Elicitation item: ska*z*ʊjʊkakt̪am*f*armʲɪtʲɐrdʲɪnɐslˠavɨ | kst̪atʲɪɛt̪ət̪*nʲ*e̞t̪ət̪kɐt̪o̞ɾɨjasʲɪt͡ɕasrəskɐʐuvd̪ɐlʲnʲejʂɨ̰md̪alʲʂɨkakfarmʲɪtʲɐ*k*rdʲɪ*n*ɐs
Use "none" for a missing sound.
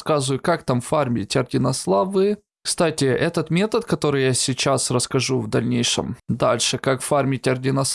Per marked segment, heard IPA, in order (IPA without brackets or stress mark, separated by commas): z, f, mʲ, none, n